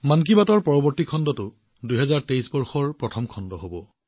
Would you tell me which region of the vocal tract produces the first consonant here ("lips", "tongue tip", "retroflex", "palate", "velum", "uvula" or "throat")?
lips